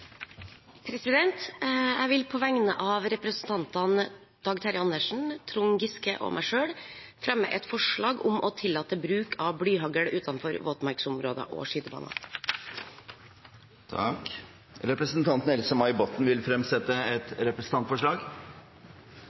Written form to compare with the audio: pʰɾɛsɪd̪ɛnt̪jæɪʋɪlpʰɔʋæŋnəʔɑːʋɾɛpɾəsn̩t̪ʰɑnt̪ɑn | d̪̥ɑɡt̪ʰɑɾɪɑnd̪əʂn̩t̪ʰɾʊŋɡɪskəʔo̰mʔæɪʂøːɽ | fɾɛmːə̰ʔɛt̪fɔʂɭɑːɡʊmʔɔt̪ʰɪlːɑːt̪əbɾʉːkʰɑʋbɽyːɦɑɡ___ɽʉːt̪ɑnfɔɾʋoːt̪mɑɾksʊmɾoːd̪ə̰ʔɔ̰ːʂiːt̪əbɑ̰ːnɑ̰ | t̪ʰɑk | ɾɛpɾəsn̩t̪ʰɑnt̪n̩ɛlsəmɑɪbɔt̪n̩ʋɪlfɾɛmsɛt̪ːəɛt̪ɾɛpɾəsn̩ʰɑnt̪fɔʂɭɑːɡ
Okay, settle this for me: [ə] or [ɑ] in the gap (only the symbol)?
ə